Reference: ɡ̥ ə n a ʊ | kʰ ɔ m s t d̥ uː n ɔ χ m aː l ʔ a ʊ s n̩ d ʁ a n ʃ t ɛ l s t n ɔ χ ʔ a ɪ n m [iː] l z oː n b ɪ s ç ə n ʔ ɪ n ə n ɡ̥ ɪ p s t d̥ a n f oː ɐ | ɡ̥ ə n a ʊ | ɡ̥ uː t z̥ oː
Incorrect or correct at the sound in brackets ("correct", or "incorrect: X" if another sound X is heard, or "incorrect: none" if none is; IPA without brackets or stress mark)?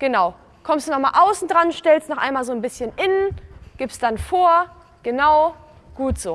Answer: incorrect: aː